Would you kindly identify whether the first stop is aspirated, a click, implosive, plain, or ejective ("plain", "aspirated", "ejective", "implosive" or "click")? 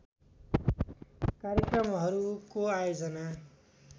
plain